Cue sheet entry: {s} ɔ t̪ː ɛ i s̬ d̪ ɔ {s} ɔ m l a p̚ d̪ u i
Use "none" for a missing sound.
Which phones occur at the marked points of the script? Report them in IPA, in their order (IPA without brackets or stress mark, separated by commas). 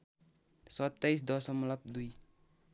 s, s